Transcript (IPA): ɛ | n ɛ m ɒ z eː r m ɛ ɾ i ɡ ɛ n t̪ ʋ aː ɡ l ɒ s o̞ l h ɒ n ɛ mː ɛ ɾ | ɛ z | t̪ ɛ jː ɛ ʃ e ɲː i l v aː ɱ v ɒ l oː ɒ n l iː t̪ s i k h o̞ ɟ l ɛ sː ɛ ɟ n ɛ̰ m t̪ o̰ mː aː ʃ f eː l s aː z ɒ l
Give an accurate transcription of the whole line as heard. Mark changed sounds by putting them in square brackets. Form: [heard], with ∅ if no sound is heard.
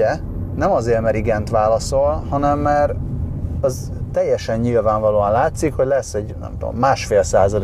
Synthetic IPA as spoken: ɛ | n ɛ m ɒ z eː r m ɛ ɾ i ɡ ɛ n t̪ ʋ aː [∅] l ɒ s o̞ l h ɒ n ɛ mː ɛ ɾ | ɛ z | t̪ ɛ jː ɛ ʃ [ɛ] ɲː i l v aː ɱ v ɒ l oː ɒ n l [aː] t̪ s i k h o̞ ɟ l ɛ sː ɛ ɟ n ɛ̰ m t̪ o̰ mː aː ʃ f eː l s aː z ɒ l